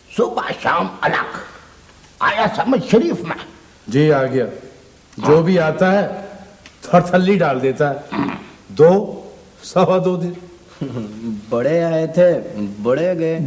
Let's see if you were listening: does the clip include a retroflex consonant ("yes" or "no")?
yes